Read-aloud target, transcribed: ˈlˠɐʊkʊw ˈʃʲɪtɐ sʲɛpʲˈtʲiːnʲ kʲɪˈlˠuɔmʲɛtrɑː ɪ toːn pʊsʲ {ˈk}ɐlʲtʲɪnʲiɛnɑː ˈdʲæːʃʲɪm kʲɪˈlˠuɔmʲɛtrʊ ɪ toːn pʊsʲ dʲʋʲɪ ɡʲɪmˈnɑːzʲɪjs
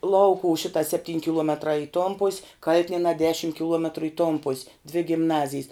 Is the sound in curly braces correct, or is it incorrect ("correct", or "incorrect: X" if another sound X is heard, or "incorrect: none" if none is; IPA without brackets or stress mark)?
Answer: correct